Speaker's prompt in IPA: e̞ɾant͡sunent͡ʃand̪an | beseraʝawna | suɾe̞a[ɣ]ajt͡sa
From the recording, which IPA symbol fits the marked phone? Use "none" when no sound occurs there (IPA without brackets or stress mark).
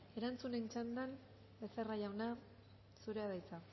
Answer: ð